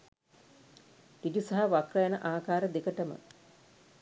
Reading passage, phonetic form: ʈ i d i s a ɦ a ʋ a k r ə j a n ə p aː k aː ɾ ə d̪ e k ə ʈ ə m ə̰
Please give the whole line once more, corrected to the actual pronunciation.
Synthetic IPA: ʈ i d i s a ɦ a ʋ a k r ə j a n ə ʔ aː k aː ɾ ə d̪ e k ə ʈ ə m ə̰